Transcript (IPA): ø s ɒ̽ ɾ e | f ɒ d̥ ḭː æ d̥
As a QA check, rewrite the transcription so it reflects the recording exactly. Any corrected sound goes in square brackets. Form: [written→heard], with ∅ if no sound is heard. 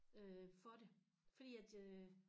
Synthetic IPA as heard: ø [s→f] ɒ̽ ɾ e | f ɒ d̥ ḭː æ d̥

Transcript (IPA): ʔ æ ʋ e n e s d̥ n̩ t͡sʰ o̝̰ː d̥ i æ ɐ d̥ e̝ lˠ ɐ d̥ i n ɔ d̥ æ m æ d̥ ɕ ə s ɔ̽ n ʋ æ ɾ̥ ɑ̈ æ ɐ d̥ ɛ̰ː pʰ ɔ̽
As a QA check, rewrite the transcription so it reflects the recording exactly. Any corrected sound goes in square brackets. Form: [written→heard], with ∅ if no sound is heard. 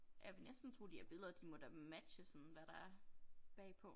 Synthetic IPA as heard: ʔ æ ʋ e n e s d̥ n̩ t͡sʰ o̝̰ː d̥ i æ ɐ [d̥→b̥] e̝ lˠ ɐ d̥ i [n→m] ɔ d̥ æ m æ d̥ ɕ ə s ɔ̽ n ʋ æ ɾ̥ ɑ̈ æ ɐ [d̥→b̥] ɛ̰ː pʰ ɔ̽

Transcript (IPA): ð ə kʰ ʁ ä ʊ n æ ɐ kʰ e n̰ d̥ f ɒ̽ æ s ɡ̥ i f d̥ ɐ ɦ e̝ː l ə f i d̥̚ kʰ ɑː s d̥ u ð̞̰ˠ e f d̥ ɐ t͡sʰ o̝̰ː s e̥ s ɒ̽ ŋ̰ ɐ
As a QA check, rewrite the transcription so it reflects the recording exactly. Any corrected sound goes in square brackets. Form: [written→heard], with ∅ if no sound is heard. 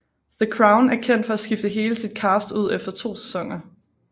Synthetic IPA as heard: ð ə kʰ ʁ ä ʊ n æ ɐ kʰ e n̰ d̥ f ɒ̽ æ s ɡ̥ i f d̥ [ɐ→ə] ɦ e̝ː l ə [f→s] i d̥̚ kʰ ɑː s d̥ u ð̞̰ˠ e f d̥ ɐ t͡sʰ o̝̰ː s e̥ s ɒ̽ ŋ̰ ɐ

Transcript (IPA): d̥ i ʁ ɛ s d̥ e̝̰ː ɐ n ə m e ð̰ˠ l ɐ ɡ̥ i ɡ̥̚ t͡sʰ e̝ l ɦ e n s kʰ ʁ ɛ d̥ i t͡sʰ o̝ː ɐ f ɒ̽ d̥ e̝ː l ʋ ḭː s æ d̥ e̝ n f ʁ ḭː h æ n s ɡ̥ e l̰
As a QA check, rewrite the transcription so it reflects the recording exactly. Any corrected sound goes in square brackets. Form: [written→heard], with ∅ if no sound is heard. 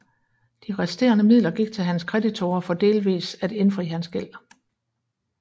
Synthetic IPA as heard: d̥ i ʁ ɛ s d̥ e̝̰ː ɐ n ə m [e→i] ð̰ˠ l ɐ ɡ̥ i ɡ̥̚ t͡sʰ e̝ l ɦ [e→æ] n s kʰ ʁ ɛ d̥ i t͡sʰ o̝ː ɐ f ɒ̽ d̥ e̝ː l ʋ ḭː s æ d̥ e̝ n f ʁ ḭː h æ n s ɡ̥ e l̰

